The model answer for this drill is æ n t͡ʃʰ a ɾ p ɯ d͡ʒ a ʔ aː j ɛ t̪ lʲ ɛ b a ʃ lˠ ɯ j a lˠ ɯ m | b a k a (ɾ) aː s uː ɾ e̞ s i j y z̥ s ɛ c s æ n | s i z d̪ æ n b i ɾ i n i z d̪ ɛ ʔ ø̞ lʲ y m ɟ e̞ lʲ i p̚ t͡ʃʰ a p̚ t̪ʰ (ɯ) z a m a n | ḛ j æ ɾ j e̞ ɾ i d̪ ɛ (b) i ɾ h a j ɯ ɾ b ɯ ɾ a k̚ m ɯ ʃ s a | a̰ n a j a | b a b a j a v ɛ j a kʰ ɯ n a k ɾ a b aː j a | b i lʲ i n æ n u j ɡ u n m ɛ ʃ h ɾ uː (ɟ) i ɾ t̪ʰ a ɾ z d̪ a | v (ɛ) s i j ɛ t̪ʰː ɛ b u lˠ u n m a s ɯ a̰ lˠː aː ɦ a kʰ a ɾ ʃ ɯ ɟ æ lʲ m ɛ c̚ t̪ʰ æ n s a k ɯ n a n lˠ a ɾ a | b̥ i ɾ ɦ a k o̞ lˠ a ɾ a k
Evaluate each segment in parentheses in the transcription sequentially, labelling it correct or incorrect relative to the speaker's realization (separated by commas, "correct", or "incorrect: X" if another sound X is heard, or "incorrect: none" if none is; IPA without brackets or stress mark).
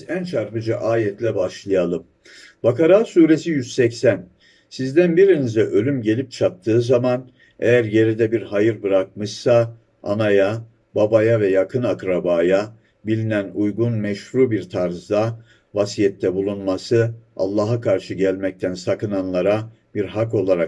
correct, incorrect: ɯː, correct, incorrect: b, incorrect: a